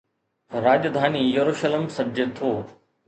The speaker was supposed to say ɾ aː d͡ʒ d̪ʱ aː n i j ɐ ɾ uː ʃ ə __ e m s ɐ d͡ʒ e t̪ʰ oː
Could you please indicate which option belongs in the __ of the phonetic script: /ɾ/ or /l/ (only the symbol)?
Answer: l